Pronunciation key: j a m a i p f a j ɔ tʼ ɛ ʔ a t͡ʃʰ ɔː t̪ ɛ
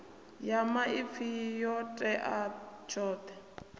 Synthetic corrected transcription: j a m a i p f i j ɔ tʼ ɛ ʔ a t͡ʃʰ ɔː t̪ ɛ